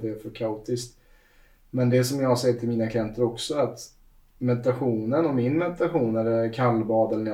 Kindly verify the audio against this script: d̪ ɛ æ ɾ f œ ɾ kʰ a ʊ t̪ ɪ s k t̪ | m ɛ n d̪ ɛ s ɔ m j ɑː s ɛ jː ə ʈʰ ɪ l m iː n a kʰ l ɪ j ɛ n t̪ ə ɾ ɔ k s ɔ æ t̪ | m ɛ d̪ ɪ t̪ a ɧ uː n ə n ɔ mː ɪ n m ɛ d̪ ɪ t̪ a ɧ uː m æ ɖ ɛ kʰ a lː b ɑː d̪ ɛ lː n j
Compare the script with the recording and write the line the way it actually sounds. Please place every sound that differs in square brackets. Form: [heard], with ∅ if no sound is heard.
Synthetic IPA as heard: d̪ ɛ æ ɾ f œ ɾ kʰ a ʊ t̪ ɪ s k t̪ | m ɛ n d̪ ɛ s ɔ m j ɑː s ɛ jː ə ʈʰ ɪ l m iː n a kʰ l ɪ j ɛ n t̪ ə ɾ ɔ k s ɔ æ t̪ | m ɛ d̪ ɪ t̪ a ɧ uː n ə n ɔ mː ɪ n m ɛ d̪ ɪ t̪ a ɧ uː [n] æ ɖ ɛ kʰ a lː b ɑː d̪ ɛ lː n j